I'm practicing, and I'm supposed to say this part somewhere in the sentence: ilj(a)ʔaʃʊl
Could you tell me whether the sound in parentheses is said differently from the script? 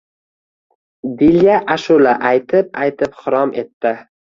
no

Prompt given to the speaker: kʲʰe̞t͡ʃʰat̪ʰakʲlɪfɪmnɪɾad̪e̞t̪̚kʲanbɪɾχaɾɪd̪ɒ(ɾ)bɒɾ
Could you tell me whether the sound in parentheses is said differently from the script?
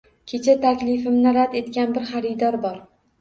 no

